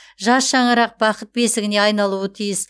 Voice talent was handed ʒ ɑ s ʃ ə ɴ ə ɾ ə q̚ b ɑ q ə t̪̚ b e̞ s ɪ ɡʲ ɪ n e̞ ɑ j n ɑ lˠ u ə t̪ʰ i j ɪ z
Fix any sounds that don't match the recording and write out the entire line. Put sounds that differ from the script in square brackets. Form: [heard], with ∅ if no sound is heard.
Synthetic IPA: ʒ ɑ s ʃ [ɑ] ɴ ə ɾ [ɑ] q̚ b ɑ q ə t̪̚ b e̞ s ɪ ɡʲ ɪ n e̞ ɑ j n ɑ lˠ u ə t̪ʰ i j ɪ [s]